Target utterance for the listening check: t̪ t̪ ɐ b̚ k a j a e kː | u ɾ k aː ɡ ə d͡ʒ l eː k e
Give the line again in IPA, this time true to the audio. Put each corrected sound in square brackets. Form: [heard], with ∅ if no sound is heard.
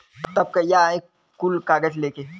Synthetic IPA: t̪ t̪ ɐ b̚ k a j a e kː | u [l] k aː ɡ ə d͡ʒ l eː k e